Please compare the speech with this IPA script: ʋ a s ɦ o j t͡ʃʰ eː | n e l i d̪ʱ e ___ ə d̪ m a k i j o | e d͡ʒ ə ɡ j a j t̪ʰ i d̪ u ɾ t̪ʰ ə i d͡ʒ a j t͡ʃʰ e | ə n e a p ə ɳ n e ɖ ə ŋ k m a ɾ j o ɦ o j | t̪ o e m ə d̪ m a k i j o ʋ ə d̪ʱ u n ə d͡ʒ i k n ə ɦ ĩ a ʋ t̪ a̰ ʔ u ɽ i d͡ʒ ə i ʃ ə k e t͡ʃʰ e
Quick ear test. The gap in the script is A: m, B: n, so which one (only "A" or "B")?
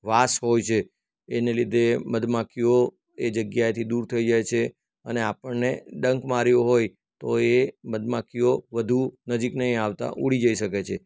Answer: A